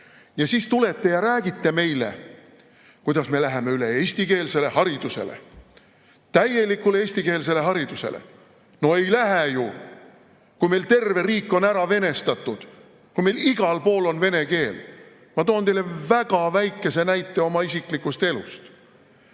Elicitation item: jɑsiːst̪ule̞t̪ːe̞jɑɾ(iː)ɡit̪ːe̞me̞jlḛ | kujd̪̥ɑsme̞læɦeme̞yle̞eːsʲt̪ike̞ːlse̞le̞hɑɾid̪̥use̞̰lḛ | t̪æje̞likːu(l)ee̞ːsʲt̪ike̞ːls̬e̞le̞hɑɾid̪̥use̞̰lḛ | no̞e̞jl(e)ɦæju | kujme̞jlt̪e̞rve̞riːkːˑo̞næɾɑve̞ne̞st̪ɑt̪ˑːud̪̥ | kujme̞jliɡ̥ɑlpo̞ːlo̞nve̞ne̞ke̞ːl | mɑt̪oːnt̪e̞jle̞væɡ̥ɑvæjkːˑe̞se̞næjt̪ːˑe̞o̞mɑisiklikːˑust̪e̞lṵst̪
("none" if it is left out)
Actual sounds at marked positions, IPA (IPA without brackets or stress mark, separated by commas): æː, l, æ